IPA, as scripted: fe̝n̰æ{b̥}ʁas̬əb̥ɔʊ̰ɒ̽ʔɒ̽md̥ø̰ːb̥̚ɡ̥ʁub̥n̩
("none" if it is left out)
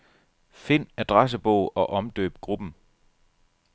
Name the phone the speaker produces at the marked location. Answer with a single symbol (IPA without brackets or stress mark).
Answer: d̥